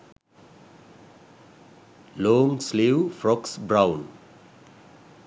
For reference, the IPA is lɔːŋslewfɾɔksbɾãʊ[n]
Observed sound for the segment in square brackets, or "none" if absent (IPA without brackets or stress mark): n